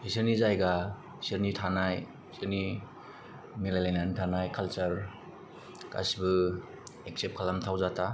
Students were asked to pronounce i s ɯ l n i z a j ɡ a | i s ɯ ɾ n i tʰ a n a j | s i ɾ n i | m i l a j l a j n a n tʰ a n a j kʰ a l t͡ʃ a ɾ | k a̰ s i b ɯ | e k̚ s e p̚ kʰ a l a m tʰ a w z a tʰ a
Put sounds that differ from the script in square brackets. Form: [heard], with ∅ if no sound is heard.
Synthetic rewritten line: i s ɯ [ɾ] n i z a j ɡ a | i s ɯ ɾ n i tʰ a n a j | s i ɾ n i | m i l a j l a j n a n tʰ a n a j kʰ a l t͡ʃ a ɾ | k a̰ s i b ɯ | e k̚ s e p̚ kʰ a l a m tʰ a w z a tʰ a